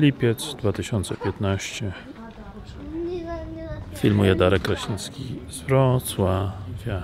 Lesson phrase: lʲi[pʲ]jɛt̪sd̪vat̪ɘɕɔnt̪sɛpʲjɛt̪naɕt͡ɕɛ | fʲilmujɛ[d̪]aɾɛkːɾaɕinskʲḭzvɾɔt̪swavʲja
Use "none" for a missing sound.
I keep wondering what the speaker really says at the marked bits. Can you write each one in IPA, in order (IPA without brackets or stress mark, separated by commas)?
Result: pʲ, d̪